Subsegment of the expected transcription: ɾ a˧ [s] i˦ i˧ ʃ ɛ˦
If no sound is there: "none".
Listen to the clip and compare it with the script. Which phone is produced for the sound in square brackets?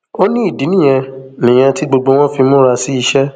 s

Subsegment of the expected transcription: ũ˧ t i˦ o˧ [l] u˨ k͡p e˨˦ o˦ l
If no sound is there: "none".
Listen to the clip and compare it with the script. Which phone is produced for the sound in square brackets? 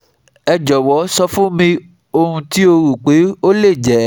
ɾ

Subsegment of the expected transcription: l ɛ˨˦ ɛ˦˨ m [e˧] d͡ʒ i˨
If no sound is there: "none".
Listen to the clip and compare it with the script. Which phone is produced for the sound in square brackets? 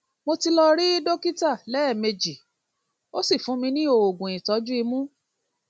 e˧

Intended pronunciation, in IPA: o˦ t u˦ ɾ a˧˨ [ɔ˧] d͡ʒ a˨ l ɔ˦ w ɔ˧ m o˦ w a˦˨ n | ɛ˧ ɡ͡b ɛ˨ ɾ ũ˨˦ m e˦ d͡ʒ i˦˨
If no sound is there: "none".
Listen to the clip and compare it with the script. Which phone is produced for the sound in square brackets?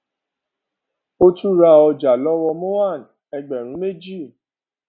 ɔ˧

